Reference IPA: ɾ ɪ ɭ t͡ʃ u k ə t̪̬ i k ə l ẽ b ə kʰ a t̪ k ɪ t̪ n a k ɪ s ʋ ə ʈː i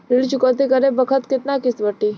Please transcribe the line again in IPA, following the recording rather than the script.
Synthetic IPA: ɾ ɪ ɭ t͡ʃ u k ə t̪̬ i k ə ɾ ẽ b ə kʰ ə t̪ k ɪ t̪ n a k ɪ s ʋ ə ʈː i